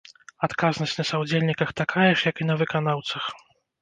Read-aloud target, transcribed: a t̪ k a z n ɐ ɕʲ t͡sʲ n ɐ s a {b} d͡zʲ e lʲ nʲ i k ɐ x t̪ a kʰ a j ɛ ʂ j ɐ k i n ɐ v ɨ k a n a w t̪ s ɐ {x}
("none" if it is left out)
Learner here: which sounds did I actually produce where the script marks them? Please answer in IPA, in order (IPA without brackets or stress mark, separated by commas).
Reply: w, x